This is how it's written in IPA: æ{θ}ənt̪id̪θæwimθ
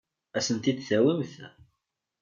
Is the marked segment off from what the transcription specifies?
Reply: yes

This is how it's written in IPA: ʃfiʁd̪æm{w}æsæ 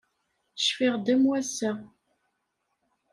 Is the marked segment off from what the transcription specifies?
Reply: no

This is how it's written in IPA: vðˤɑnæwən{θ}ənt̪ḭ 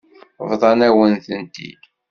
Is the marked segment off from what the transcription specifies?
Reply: no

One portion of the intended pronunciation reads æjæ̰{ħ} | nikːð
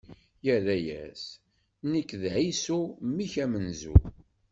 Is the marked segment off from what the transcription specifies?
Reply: yes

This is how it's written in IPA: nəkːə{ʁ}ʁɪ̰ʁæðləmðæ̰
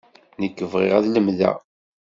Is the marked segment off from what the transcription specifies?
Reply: yes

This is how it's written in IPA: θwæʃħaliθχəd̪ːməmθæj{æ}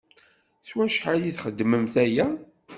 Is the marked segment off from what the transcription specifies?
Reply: no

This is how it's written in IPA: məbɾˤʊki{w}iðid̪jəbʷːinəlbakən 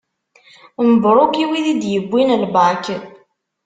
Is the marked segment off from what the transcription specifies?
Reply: no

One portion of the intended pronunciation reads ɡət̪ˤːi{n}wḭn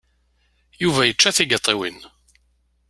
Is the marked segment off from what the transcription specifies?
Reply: yes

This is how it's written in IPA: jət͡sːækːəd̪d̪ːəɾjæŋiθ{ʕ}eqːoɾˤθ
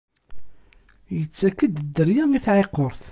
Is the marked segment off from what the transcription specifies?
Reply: no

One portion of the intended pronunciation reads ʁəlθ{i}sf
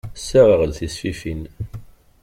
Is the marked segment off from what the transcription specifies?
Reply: no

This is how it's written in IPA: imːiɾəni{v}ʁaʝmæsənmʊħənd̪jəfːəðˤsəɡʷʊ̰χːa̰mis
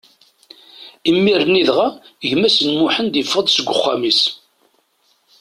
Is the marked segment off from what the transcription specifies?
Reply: yes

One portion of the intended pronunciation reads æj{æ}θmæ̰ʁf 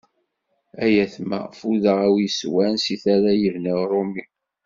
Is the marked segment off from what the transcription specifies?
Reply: no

